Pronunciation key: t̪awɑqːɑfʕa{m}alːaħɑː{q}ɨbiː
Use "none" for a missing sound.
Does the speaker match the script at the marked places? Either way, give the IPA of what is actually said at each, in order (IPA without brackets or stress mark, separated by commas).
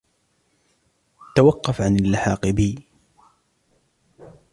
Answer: n, q